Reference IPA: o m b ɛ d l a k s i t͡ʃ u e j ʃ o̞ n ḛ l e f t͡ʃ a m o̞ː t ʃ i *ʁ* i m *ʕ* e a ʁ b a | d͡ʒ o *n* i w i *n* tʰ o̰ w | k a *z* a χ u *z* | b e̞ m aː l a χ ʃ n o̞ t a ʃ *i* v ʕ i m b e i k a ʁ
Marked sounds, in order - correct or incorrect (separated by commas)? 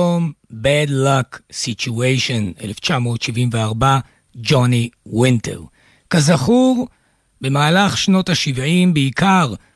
incorrect, incorrect, correct, correct, correct, incorrect, correct